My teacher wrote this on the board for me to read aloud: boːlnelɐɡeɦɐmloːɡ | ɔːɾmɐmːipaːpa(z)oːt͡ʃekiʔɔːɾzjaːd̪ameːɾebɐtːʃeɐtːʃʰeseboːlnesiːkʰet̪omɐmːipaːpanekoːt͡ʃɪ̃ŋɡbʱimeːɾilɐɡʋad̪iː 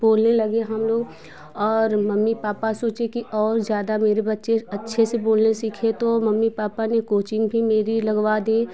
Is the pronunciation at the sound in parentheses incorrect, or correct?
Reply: incorrect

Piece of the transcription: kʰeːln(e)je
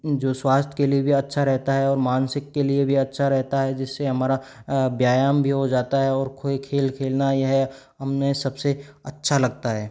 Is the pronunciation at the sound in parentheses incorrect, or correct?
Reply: incorrect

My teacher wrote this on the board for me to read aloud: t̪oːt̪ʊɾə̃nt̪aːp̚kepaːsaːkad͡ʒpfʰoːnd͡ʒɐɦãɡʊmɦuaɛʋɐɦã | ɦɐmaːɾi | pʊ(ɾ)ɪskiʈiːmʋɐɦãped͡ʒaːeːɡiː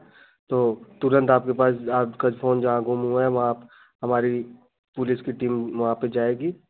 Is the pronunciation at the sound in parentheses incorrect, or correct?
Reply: incorrect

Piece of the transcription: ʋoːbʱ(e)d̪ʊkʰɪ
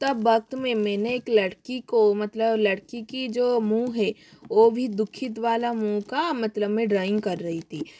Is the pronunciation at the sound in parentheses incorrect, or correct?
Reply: incorrect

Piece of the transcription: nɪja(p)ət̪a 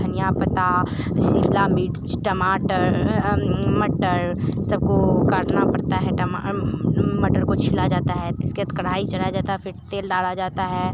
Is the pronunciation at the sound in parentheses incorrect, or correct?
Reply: correct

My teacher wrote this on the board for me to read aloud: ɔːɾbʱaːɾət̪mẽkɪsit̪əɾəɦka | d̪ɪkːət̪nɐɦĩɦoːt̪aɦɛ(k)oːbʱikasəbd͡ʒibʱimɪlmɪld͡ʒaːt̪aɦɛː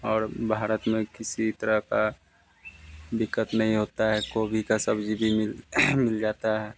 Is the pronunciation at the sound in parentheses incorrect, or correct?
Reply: correct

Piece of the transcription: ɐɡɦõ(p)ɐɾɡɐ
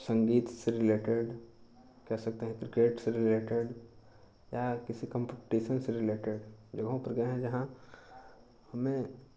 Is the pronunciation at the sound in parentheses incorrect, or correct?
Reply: correct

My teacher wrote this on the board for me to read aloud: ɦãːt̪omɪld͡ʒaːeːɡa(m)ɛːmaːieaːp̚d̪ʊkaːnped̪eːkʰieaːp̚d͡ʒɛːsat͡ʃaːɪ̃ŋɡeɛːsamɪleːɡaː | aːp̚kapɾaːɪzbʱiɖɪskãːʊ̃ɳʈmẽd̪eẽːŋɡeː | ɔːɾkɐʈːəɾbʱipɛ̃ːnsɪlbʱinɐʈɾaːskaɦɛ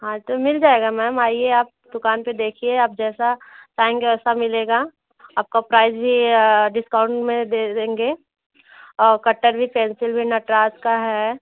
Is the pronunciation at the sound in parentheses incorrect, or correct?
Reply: correct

